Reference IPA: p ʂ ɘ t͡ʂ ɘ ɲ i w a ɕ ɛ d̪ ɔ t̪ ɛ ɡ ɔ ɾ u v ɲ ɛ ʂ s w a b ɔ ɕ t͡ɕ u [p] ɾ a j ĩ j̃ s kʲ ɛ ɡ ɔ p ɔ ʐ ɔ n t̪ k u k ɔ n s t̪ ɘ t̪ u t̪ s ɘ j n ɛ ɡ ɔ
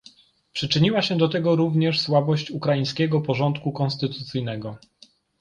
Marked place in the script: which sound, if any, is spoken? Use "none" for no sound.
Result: k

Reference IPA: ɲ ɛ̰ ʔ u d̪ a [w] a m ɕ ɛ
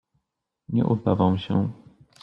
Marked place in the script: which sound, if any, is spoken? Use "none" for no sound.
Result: v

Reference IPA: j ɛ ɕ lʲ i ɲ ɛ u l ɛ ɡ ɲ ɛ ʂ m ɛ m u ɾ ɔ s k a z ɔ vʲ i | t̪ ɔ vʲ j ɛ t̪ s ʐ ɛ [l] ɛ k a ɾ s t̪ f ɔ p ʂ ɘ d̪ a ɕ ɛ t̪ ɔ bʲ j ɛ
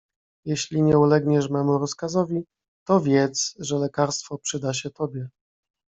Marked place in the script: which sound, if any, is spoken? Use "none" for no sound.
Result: l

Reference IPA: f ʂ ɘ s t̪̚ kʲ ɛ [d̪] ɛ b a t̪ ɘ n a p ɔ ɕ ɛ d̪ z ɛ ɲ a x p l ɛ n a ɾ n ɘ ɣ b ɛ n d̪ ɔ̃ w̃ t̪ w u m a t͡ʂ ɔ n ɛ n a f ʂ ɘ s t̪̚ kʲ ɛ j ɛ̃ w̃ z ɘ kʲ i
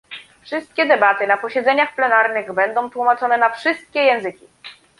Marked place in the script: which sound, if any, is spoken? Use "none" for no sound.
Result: d̪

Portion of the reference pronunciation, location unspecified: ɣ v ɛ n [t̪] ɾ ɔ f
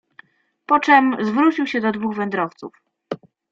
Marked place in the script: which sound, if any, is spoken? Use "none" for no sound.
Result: d̪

